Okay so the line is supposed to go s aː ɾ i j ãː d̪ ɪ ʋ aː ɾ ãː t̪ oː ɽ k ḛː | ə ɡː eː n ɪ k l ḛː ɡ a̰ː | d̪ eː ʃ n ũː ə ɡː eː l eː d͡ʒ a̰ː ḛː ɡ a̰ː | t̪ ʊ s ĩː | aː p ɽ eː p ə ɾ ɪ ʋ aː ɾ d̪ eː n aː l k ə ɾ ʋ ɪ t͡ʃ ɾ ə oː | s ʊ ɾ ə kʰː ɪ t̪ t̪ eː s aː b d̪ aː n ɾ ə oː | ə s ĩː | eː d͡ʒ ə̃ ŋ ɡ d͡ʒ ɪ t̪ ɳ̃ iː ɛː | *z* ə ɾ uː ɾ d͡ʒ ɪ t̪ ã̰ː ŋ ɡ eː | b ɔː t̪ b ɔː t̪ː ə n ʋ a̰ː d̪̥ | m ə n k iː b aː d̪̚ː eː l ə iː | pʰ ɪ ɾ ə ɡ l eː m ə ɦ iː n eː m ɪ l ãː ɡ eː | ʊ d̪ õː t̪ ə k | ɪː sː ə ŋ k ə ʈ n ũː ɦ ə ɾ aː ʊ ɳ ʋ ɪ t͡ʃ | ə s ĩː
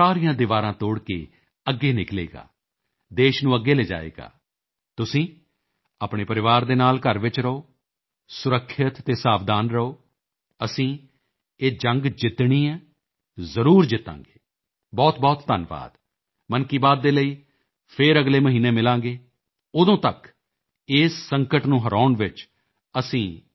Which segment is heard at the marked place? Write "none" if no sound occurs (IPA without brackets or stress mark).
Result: z